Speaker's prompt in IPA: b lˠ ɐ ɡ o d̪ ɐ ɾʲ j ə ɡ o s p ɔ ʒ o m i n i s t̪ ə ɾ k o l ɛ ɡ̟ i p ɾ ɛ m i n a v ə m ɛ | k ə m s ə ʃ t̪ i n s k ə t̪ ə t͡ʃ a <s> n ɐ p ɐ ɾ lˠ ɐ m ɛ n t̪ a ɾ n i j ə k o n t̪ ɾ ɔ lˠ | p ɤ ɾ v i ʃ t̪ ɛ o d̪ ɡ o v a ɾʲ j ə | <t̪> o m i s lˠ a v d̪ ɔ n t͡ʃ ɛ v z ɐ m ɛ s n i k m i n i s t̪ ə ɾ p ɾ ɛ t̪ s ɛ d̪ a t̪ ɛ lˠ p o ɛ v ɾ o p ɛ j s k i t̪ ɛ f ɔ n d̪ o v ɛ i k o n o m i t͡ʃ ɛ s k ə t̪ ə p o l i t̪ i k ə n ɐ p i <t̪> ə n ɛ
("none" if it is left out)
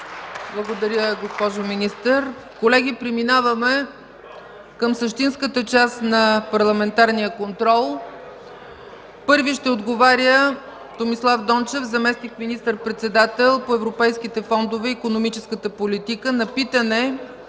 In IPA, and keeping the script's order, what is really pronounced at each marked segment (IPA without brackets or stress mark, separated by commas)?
s, t̪, t̪